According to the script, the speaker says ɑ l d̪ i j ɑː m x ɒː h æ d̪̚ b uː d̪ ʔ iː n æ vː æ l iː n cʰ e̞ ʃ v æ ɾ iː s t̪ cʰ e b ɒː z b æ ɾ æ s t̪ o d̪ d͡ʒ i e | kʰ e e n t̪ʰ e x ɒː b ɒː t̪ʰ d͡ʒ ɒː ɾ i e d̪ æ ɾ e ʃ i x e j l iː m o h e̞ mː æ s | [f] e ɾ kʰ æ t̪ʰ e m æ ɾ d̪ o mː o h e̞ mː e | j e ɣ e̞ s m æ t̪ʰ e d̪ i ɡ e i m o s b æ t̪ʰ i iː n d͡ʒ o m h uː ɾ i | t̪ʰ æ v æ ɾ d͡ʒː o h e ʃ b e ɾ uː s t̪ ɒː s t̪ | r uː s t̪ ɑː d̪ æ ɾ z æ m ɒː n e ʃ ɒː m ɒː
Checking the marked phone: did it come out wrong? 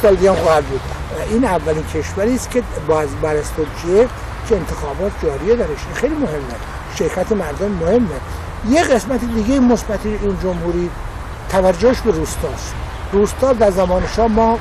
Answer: yes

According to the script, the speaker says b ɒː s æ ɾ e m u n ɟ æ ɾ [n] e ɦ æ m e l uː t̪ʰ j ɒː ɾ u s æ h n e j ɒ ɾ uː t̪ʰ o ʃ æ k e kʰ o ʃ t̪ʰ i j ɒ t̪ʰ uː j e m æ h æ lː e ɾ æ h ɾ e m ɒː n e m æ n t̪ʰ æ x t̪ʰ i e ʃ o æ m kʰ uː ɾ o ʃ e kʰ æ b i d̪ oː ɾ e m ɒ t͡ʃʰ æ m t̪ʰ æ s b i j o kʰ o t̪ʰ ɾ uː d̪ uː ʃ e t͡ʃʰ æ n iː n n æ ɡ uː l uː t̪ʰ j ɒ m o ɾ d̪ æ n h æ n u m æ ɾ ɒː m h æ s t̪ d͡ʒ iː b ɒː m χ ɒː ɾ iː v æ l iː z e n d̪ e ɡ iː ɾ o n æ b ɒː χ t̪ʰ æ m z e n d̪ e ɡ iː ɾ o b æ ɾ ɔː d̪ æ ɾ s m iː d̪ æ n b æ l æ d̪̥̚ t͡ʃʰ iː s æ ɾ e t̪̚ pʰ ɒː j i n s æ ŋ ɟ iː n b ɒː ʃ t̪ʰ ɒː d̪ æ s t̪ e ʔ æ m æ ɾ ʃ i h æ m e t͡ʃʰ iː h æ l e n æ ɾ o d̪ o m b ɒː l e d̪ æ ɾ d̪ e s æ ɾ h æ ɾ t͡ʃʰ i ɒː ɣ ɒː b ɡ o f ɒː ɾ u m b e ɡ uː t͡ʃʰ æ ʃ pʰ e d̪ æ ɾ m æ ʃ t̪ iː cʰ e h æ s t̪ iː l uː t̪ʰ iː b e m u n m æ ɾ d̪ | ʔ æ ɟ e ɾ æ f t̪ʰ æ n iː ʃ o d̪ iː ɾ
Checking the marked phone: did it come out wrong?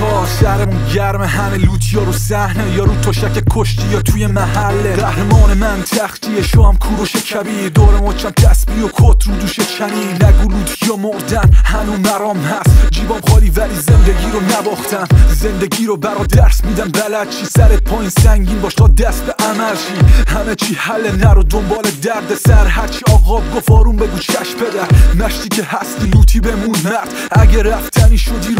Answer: yes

